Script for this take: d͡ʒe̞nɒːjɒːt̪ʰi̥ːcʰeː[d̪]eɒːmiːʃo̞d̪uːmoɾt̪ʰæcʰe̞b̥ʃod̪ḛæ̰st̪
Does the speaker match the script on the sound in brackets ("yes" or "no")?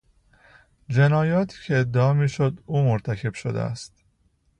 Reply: no